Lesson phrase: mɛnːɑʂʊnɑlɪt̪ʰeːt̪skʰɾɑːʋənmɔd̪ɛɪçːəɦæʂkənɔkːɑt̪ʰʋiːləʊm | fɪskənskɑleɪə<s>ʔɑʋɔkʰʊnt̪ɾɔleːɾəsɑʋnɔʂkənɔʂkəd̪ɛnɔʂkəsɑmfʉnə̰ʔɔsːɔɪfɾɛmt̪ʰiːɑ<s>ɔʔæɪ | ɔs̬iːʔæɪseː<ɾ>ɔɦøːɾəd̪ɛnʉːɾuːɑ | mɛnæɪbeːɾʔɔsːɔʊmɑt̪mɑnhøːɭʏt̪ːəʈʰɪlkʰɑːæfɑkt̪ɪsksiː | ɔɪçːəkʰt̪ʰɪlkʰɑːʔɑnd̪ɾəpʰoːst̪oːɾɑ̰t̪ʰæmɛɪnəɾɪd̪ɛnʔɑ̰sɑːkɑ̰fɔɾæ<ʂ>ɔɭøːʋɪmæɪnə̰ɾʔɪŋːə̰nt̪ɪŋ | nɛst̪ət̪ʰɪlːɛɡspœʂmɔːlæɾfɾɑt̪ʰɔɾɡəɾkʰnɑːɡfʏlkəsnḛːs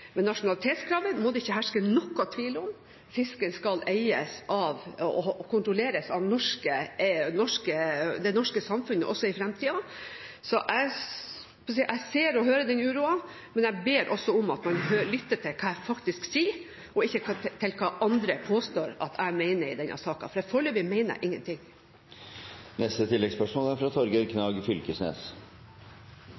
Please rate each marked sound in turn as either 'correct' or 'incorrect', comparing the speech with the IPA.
correct, correct, correct, incorrect

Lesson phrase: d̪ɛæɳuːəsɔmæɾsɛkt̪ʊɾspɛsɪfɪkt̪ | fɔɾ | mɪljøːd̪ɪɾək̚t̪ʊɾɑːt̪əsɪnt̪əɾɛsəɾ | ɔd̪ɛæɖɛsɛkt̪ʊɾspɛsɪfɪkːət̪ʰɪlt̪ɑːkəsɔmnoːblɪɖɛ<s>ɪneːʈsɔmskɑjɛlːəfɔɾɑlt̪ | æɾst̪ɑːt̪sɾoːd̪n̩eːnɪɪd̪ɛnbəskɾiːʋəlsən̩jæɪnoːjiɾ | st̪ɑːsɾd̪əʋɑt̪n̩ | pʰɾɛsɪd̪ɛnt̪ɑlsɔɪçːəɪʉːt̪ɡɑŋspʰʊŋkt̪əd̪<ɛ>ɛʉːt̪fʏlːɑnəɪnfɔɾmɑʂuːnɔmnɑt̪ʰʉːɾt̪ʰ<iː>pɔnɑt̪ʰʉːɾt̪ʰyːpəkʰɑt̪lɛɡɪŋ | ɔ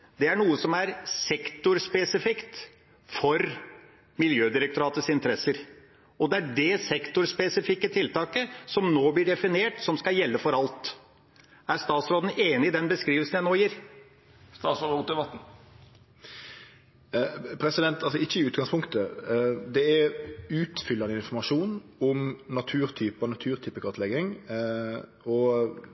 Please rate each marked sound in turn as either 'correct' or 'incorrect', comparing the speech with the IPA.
incorrect, correct, incorrect

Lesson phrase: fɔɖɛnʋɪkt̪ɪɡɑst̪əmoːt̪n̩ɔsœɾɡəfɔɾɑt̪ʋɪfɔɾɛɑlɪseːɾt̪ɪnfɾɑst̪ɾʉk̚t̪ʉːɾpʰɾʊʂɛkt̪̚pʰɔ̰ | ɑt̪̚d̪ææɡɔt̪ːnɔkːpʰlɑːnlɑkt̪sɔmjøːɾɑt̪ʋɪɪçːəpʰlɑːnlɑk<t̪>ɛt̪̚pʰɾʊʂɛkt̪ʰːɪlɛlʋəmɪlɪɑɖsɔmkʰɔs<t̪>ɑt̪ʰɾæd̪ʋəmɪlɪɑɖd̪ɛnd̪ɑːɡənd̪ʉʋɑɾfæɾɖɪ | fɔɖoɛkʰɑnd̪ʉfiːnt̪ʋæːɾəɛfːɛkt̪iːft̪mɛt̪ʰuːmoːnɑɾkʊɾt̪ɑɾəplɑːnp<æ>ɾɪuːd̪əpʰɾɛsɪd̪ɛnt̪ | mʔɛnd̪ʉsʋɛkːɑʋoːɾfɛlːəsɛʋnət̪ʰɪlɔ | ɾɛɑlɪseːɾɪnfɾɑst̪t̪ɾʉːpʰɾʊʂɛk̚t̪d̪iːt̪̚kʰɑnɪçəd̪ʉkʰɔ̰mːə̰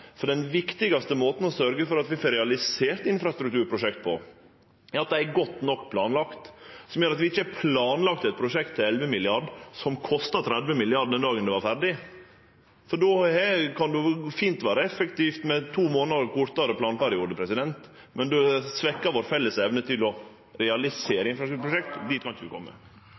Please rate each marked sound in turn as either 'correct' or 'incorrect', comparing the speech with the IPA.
correct, correct, correct

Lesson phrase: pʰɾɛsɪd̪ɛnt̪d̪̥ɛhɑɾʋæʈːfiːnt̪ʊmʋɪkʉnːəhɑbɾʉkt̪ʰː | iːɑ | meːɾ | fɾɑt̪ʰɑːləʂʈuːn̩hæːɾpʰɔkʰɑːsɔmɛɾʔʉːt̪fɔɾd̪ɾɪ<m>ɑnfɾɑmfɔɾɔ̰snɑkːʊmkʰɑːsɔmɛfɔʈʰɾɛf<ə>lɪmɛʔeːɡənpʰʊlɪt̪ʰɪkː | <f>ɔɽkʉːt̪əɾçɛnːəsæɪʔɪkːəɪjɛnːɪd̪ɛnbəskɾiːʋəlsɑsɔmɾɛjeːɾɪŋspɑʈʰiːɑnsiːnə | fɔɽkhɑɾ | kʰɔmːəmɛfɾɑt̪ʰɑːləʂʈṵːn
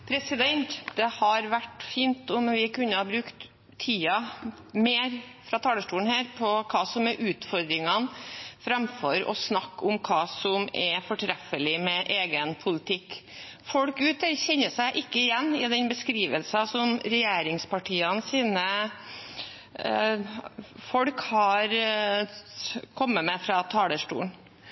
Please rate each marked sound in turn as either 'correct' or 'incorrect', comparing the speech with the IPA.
incorrect, correct, correct

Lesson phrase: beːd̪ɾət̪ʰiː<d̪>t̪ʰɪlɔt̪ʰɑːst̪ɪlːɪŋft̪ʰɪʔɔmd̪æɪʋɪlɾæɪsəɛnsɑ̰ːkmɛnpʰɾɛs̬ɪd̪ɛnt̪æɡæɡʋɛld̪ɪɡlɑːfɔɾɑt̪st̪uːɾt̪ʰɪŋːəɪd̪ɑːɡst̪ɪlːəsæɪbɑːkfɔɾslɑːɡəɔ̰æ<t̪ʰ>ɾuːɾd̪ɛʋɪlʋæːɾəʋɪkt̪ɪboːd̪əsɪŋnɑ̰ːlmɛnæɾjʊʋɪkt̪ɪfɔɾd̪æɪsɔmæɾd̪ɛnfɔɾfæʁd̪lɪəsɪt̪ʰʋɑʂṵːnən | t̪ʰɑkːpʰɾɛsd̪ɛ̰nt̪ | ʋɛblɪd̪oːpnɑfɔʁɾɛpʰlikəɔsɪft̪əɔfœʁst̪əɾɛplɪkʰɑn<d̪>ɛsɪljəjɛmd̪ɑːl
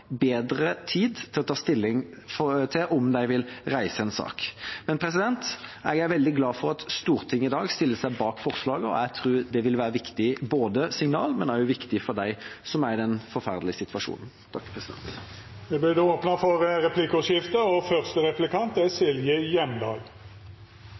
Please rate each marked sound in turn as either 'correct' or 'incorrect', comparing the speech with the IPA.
correct, correct, incorrect

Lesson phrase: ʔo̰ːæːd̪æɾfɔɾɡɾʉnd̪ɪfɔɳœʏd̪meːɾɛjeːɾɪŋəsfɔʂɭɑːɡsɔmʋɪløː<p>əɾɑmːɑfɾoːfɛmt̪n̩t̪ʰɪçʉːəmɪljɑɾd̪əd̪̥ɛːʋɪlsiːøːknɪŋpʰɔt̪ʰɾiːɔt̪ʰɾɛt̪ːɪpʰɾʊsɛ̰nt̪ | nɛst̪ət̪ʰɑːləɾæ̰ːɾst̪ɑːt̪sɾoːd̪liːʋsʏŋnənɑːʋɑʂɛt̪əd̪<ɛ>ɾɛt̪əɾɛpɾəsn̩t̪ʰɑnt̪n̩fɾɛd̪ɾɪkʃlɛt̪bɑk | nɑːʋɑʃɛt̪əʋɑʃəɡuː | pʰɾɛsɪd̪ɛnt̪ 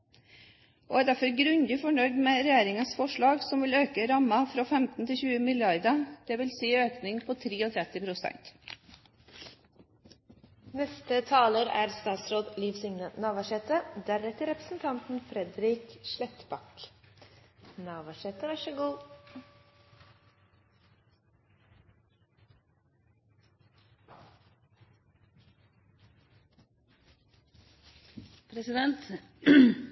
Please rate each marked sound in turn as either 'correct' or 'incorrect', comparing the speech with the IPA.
incorrect, incorrect

